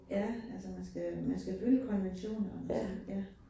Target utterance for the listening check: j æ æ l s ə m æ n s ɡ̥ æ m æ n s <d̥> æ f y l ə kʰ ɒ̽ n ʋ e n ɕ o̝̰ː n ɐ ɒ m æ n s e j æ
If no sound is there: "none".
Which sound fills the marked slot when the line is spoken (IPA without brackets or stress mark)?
ɡ̥